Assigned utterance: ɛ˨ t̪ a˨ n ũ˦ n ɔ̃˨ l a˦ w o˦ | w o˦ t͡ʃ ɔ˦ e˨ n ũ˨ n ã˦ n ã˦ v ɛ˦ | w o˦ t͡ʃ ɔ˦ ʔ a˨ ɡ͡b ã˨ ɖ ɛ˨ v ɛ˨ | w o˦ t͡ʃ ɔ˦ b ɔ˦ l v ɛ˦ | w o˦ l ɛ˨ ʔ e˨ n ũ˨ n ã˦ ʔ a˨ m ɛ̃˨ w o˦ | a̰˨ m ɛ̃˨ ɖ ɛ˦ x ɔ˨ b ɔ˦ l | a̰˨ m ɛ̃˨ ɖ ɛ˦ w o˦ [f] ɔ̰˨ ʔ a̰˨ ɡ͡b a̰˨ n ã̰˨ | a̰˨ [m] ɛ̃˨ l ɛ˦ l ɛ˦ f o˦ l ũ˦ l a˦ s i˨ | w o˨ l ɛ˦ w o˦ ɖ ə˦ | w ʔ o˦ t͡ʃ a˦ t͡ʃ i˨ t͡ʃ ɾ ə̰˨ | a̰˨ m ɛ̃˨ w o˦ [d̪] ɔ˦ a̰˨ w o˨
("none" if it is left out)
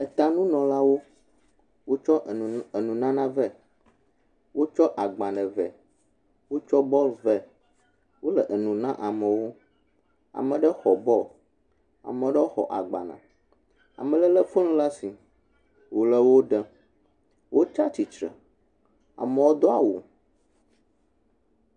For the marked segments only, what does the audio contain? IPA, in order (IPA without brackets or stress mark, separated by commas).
x, m, d̪